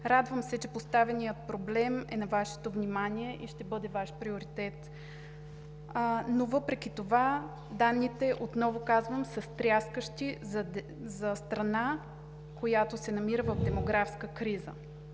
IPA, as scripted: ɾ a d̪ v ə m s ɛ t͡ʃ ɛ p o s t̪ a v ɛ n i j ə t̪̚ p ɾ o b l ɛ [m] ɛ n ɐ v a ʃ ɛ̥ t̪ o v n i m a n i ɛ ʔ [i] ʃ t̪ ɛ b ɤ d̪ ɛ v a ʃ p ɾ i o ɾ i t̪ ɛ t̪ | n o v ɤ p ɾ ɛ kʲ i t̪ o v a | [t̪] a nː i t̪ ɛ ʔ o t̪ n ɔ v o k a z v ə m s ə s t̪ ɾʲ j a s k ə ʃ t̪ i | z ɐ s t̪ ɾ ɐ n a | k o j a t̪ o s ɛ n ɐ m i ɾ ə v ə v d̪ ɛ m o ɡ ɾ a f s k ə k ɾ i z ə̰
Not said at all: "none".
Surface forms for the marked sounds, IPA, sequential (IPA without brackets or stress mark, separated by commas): m, i, d̪